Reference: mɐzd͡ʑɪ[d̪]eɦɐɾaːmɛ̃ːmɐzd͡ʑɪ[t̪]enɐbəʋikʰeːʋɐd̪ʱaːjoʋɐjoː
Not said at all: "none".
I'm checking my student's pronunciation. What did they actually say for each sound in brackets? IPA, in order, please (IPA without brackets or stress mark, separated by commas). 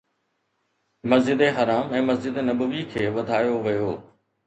d̪, d̪